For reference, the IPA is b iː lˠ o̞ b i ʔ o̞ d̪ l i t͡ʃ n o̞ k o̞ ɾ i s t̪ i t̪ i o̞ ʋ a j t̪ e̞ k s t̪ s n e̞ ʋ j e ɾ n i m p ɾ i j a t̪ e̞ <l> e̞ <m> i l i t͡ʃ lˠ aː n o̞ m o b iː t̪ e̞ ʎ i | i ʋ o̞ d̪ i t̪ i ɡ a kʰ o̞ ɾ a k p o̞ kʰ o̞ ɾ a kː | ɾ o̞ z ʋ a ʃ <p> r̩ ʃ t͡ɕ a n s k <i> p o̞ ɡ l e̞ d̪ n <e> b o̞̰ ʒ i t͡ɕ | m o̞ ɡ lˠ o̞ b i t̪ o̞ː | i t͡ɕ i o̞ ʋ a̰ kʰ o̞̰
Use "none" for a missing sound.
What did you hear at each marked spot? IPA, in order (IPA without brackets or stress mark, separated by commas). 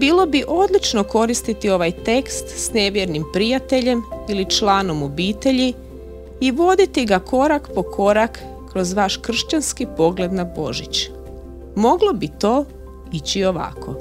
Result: ʎ, m, k, i, a